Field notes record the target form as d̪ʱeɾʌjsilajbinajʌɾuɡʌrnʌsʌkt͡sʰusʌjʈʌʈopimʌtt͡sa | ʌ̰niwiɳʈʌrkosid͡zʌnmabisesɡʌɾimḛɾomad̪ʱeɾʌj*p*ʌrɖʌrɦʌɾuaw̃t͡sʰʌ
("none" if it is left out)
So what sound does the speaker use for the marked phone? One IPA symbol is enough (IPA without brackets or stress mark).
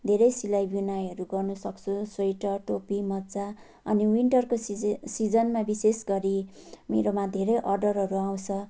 ʔ